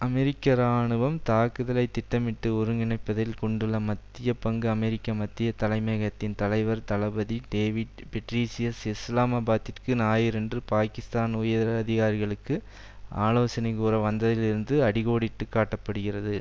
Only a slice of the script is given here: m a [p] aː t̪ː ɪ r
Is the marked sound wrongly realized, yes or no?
yes